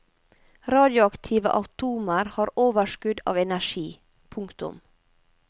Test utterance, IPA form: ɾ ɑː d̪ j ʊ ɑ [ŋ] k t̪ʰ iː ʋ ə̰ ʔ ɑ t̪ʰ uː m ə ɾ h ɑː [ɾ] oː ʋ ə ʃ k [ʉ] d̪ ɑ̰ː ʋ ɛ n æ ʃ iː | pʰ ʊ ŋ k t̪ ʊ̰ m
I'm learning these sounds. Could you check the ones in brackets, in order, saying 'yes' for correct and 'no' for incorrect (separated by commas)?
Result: no, yes, yes